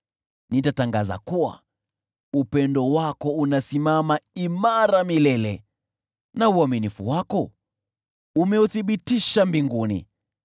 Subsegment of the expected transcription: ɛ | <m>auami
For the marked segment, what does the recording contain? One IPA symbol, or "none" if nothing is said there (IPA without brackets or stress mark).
n